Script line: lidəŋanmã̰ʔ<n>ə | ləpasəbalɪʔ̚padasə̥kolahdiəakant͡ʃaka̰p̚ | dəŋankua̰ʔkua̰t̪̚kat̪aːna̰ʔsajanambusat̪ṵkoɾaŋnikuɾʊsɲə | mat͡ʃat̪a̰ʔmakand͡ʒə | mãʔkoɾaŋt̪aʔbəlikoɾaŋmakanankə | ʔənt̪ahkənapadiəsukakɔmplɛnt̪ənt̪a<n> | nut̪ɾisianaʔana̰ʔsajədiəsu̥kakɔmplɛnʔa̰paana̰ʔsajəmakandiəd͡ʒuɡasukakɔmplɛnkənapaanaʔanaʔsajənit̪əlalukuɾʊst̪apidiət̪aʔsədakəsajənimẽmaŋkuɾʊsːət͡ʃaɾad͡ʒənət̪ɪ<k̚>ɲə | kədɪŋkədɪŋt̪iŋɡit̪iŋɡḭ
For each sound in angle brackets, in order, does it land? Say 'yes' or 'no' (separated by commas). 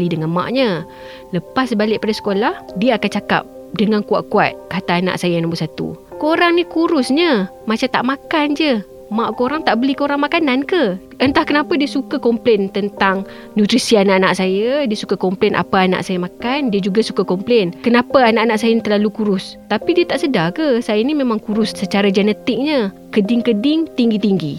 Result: no, no, yes